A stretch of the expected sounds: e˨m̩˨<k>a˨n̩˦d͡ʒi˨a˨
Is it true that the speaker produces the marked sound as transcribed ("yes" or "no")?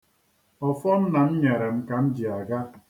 yes